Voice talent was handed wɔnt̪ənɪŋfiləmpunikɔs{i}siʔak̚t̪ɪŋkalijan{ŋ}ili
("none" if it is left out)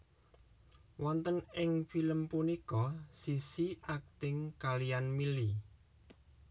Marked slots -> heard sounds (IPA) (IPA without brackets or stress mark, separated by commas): i, m